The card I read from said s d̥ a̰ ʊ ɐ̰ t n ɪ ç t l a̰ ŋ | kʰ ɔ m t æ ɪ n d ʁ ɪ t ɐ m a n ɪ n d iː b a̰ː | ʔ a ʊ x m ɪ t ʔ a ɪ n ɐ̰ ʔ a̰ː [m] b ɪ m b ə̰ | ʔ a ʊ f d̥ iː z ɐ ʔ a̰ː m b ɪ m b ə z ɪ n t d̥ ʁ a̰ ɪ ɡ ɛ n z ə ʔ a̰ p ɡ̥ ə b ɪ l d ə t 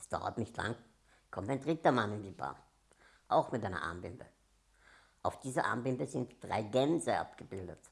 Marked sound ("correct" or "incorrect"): correct